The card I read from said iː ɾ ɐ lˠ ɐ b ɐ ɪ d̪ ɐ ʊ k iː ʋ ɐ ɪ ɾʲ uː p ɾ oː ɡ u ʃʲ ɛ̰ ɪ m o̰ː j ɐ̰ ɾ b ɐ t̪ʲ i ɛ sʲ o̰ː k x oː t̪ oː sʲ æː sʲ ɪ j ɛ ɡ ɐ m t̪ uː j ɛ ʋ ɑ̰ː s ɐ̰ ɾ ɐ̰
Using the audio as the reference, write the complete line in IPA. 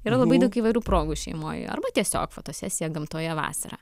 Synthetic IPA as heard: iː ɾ ɐ lˠ ɐ b ɐ ɪ d̪ ɐ ʊ k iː ʋ ɐ ɪ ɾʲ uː p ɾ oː ɡ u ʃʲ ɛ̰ ɪ m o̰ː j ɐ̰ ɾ b ɐ t̪ʲ i ɛ sʲ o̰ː k f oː t̪ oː sʲ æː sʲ ɪ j ɛ ɡ ɐ m t̪ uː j ɛ ʋ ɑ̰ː s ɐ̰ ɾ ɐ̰